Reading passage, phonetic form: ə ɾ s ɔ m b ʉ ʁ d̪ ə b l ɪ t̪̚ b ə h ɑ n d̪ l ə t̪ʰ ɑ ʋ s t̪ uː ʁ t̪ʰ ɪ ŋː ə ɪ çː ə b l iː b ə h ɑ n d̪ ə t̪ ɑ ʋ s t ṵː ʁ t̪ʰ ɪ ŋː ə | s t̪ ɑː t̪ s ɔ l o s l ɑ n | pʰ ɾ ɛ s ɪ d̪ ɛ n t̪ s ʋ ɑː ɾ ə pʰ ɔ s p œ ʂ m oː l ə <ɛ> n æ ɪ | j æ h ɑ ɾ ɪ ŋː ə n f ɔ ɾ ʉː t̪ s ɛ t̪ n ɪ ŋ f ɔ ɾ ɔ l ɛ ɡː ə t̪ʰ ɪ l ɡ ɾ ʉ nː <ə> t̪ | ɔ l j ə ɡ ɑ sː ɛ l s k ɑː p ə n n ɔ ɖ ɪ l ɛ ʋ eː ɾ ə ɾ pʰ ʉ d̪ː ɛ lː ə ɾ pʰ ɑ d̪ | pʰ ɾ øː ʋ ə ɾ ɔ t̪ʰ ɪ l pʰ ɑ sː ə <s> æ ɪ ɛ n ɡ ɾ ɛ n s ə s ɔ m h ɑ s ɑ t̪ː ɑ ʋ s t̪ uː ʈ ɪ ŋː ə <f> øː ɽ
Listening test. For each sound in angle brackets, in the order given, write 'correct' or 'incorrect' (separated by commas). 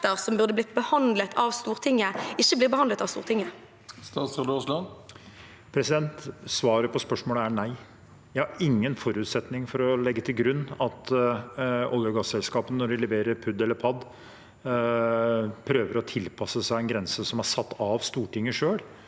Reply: incorrect, incorrect, correct, incorrect